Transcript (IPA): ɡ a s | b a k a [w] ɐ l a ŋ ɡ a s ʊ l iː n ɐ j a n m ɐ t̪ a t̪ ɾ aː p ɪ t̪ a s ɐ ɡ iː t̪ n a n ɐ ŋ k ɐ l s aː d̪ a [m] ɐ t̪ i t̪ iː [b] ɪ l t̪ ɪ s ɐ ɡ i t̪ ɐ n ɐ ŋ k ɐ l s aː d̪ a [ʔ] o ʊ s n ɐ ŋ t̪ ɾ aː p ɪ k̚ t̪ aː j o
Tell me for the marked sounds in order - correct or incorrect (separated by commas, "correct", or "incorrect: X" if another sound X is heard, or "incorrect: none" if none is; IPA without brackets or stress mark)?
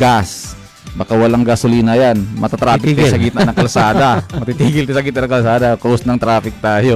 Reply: correct, correct, incorrect: ɡ, incorrect: k